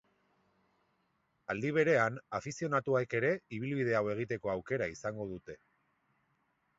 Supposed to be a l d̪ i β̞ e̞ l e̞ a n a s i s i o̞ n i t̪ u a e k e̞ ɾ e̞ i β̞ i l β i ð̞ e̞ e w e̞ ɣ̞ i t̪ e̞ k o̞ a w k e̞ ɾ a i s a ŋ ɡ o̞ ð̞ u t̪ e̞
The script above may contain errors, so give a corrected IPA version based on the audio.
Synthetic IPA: a l d̪ i β̞ e̞ ɾ e̞ a n a f i s i o̞ n a t̪ u a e k e̞ ɾ e̞ i β̞ i l β i ð̞ e̞ a w e̞ ɣ̞ i t̪ e̞ k o̞ a w k e̞ ɾ a i s a ŋ ɡ o̞ ð̞ u t̪ e̞